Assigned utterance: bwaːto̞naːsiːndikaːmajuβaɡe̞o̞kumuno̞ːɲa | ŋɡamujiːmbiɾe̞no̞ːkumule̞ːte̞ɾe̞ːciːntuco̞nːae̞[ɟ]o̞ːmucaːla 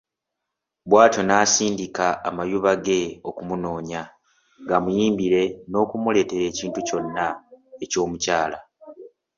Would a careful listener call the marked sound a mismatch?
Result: yes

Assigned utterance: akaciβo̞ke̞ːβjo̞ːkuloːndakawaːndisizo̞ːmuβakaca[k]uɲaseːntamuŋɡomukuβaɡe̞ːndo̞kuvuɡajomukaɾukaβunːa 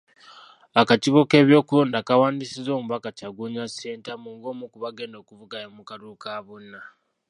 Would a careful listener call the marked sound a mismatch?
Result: yes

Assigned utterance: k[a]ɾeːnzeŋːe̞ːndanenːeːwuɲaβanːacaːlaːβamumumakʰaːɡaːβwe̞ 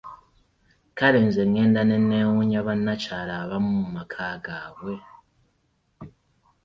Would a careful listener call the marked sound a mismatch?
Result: no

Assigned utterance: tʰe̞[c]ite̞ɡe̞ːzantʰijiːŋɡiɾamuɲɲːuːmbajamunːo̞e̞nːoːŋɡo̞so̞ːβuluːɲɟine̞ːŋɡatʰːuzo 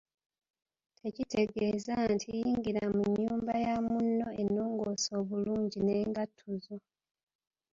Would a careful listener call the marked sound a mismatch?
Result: no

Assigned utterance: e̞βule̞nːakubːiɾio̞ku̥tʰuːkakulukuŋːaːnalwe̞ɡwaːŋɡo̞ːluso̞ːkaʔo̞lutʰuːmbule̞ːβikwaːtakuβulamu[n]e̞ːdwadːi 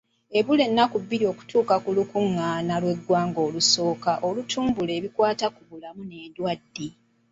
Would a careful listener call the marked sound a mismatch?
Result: no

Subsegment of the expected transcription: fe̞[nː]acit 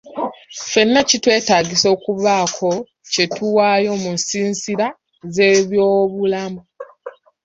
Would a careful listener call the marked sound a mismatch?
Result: no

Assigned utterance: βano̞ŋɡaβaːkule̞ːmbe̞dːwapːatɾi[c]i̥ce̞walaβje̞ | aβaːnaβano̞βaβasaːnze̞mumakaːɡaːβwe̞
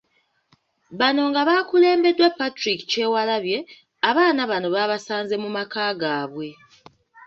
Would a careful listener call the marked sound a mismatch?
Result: yes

